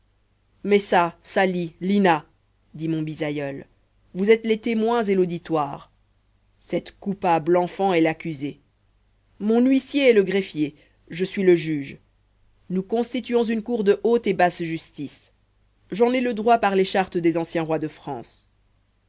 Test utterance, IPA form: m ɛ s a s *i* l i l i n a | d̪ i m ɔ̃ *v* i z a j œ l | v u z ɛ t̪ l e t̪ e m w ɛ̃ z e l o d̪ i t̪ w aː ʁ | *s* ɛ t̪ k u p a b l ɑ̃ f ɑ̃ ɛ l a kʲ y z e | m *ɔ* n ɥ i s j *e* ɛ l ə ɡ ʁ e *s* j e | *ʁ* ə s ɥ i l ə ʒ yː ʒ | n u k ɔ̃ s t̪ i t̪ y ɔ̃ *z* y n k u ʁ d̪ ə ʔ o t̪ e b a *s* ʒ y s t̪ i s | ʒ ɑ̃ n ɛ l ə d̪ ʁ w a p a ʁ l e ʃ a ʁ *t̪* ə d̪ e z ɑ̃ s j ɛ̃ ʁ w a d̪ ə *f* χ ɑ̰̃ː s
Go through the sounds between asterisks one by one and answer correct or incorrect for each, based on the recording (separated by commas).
incorrect, incorrect, correct, incorrect, correct, incorrect, incorrect, correct, correct, correct, correct